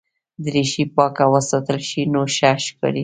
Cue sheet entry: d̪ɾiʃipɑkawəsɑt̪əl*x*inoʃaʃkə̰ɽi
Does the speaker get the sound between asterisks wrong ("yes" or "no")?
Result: yes